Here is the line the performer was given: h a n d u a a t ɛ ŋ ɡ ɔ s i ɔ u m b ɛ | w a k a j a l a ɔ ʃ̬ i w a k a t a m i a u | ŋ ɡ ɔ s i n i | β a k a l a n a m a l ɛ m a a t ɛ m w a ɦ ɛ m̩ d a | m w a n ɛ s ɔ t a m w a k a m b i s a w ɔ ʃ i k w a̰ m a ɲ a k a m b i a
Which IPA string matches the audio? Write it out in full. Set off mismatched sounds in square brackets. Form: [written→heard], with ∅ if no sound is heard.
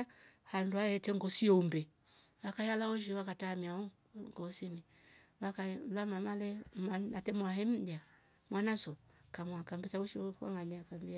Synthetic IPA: h a n d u a [a→ɛ] t ɛ ŋ ɡ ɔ s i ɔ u m b ɛ | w a k a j a l a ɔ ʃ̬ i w a k a t a m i a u | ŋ ɡ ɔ s i n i | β a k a l a [n→m] a m a l ɛ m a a t ɛ m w a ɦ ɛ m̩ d a | m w a n [ɛ→a] s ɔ [t→k] a m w a k a m b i s a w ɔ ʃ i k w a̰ [m→ŋ] a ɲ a k a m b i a

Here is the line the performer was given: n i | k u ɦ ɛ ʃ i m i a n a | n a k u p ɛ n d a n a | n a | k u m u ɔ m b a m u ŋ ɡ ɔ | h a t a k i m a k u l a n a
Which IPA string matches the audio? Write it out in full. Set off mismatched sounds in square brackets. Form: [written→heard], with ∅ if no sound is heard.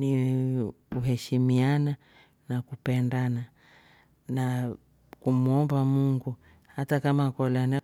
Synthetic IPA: n i | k u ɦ ɛ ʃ i m i a n a | n a k u p ɛ n d a n a | n a | k u m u ɔ m b a m u ŋ ɡ [ɔ→u] | h a t a k [i→a] m a k [u→ɔ] l a n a

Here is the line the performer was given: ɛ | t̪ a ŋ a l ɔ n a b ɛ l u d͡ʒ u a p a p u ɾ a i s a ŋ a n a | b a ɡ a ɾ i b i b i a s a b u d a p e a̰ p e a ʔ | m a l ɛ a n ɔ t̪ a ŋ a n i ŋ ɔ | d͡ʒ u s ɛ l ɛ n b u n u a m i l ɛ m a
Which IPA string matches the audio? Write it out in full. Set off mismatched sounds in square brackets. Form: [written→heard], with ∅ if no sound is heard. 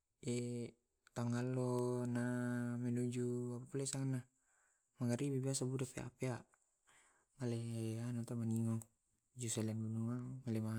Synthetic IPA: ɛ | t̪ a ŋ a l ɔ n a [b→m] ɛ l u d͡ʒ u a p a p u [ɾ→l] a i s a ŋ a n a | [b→m] a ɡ a ɾ i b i b i a s a b u d a p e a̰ p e a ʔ | m a l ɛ a n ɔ t̪ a [ŋ→m] a n i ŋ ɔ | d͡ʒ u s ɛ l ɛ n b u n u a m [i→a] l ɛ m a

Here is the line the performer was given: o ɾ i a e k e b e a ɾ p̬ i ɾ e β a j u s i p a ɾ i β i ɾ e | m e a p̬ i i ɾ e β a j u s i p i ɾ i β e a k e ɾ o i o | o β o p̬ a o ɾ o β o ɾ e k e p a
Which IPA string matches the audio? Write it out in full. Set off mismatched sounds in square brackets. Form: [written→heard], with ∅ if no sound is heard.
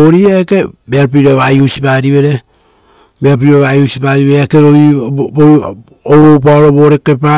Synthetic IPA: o ɾ i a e k e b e a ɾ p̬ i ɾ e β a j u s i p a ɾ i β [i→e] ɾ e | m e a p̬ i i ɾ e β a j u s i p [i→a] ɾ i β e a k e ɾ o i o | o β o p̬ a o ɾ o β o ɾ e k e p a

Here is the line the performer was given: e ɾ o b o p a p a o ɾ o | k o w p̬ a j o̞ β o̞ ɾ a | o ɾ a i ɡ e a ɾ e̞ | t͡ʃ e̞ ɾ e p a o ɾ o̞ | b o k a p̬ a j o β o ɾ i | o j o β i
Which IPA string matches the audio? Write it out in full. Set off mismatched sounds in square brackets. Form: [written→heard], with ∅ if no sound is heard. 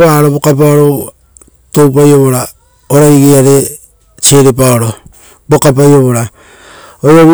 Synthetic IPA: [e→a] ɾ o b o [p→k] a p a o ɾ o | [k→t] o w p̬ a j o̞ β o̞ ɾ a | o ɾ a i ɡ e a ɾ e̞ | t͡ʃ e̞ ɾ e p a o ɾ o̞ | b o k a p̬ a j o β o ɾ [i→a] | o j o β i

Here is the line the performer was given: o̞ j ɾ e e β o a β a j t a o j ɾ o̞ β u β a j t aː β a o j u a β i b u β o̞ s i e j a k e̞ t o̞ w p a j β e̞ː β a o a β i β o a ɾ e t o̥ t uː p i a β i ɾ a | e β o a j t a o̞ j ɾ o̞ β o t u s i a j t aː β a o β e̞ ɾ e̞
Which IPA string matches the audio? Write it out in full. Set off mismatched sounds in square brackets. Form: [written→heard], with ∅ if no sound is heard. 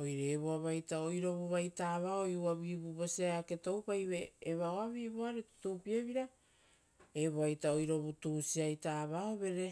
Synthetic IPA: o̞ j ɾ e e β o a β a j t a o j ɾ o̞ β u β a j t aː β a o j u a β i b u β o̞ s i [e→a] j a k e̞ t o̞ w p a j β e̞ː β a o a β i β o a ɾ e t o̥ t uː p i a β i ɾ a | e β o a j t a o̞ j ɾ o̞ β [o→u] t u s i a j t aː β a o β e̞ ɾ e̞

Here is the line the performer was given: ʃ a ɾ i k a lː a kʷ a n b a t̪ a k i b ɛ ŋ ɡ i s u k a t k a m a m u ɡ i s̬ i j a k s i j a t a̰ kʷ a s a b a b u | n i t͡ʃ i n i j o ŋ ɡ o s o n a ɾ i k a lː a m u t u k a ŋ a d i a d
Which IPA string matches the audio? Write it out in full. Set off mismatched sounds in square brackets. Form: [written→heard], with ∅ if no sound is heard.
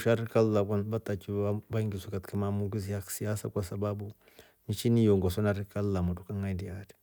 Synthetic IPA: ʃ a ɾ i k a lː a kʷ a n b a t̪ a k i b [ɛ→a] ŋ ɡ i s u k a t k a m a m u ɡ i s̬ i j a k s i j a [t→s] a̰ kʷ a s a b a b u | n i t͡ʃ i n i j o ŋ ɡ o s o n a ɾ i k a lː a m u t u k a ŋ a d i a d

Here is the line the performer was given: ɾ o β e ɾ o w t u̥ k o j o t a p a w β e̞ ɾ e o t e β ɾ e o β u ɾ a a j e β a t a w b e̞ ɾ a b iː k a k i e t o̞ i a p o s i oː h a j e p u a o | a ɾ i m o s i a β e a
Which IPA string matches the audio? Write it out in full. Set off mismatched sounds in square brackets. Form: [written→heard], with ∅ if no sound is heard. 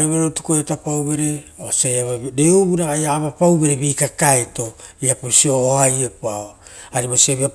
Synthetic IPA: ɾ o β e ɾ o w t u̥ k o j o t a p a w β e̞ ɾ e o [t→s] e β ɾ e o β u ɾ a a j [e→a] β a [t→p] a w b e̞ ɾ [a→e] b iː k a k [i→a] e t o̞ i a p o s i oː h a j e p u a o | a ɾ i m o s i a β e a

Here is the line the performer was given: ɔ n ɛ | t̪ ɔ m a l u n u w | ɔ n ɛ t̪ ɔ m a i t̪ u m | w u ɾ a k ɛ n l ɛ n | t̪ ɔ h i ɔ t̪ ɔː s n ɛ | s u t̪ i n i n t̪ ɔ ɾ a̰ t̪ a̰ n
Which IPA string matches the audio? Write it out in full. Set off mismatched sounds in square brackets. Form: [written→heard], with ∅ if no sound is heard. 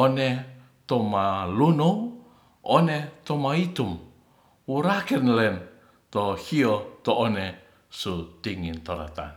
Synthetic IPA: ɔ n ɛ | t̪ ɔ m a l u n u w | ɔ n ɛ t̪ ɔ m a i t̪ u m | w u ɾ a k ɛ n l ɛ n | t̪ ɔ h i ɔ t̪ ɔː [s→∅] n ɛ | s u t̪ i [n→ŋ] i n t̪ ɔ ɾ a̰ t̪ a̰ n

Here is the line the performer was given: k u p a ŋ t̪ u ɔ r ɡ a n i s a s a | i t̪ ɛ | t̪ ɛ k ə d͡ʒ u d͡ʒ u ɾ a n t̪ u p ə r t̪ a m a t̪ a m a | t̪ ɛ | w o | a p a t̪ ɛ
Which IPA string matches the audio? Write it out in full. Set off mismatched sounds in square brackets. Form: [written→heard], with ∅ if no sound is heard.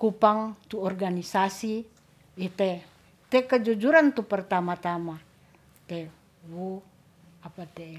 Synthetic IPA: k u p a ŋ t̪ u ɔ r ɡ a n i s a s [a→i] | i t̪ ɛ | t̪ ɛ k ə d͡ʒ u d͡ʒ u ɾ a n t̪ u p ə r t̪ a m a t̪ a m a | t̪ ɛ | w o | a p a t̪ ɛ

